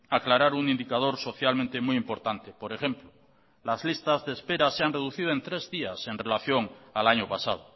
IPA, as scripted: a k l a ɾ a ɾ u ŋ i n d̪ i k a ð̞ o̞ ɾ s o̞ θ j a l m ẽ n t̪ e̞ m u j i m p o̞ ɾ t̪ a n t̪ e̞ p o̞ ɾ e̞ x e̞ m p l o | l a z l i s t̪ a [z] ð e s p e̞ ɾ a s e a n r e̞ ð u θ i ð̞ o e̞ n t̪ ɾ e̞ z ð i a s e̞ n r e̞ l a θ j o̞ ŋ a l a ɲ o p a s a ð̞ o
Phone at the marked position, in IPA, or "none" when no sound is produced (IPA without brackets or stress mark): z